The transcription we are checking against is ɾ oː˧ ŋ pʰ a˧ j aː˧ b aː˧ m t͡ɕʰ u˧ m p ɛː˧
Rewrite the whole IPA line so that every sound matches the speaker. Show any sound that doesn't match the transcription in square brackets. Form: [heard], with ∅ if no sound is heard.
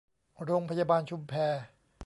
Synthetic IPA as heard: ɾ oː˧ ŋ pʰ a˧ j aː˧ b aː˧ [n] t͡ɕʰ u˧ m [pʰ] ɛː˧